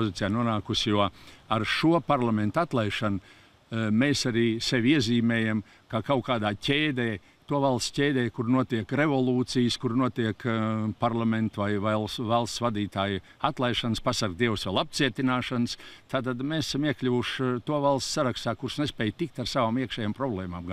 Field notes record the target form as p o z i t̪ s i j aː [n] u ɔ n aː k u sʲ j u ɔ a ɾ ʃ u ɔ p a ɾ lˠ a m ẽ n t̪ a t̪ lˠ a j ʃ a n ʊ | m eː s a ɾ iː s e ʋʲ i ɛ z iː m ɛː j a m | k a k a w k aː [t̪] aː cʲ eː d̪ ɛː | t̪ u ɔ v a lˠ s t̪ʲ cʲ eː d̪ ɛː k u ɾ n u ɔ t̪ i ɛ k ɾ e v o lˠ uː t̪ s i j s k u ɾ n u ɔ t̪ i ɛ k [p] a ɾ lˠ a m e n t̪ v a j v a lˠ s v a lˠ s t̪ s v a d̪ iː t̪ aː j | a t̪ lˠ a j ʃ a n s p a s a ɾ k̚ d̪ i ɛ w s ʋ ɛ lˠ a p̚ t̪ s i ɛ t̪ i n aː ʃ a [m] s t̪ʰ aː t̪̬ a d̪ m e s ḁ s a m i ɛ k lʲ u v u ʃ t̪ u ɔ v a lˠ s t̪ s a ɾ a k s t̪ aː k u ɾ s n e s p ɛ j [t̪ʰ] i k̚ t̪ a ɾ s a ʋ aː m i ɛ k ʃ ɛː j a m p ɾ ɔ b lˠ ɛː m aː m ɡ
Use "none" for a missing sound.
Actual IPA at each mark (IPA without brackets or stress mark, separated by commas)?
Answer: n, d̪, p, n, t̪